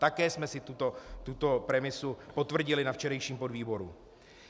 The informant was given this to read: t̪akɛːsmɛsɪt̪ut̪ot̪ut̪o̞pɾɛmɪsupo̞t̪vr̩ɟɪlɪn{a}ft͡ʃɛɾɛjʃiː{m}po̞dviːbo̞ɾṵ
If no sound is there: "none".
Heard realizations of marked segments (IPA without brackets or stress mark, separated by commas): a, m